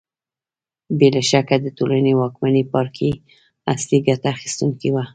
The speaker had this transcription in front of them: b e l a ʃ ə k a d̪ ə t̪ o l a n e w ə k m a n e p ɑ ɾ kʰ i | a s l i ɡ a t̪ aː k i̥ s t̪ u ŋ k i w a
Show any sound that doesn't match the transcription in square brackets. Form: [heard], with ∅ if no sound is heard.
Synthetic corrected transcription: b e l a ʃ [a] k a d̪ ə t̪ o l a n e w [ɑ] k m a n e p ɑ ɾ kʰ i | a s l i ɡ a t̪ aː [x] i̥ s t̪ u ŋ k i w a